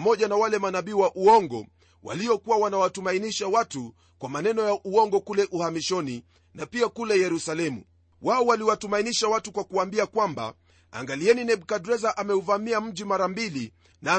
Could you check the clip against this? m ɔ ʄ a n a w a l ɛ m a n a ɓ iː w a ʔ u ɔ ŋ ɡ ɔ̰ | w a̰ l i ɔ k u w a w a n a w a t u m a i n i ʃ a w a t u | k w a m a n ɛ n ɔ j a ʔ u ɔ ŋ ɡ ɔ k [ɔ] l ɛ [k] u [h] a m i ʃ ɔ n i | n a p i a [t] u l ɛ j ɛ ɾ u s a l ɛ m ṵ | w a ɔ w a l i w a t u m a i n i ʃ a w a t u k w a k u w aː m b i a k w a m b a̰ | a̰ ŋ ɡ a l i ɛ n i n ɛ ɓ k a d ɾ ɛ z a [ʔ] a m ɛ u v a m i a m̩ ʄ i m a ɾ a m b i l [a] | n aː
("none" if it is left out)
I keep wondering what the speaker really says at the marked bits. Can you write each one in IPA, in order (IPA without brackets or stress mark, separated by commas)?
u, ʔ, h, k, ʔ, i